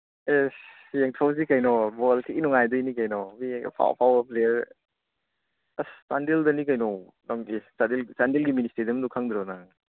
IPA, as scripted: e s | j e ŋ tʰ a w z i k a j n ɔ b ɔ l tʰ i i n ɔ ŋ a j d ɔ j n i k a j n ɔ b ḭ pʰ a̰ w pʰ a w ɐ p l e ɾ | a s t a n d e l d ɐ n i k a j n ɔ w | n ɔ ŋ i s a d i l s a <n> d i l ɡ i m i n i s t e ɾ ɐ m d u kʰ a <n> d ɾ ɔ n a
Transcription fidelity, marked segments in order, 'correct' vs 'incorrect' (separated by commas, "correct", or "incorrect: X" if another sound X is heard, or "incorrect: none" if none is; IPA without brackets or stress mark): correct, incorrect: ŋ